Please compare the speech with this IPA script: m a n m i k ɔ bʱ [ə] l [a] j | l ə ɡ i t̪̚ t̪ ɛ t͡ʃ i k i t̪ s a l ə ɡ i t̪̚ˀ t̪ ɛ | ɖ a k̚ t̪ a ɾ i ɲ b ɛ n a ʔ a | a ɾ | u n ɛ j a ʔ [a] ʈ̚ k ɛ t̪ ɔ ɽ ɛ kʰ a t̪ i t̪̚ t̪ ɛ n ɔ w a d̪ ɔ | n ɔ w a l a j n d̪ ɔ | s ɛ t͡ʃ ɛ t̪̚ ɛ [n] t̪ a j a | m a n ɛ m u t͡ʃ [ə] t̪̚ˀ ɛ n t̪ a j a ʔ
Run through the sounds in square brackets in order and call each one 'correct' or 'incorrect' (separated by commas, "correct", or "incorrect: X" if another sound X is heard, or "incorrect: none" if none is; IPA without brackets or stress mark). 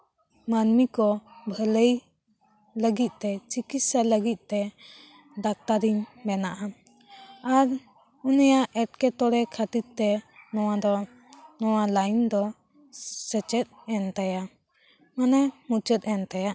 correct, incorrect: ə, incorrect: ɛ, correct, correct